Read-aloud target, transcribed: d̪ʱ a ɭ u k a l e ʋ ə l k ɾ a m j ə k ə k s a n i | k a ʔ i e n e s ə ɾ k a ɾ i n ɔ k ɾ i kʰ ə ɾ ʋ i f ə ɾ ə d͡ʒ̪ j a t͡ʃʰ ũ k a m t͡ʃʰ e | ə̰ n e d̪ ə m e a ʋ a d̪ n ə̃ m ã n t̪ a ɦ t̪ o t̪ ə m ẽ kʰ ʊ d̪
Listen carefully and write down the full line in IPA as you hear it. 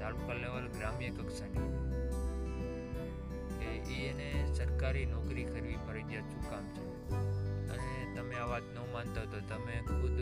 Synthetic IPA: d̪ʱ a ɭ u k a l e ʋ ə l ɡ ɾ a m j ə k ə k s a n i | k e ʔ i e n e s ə ɾ k a ɾ i n ɔ k ɾ i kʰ ə ɾ ʋ i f ə ɾ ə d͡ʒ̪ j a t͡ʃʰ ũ k a m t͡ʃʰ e | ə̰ n e t̪ ə m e a ʋ a t̪ n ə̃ m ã n t̪ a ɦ t̪ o t̪ ə m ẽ kʰ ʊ d̪